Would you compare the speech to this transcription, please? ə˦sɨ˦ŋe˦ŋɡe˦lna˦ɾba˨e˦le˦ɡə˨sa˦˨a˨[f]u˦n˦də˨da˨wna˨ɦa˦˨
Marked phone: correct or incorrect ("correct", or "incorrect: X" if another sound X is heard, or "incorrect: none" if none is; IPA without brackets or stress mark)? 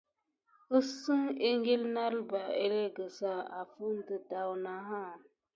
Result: correct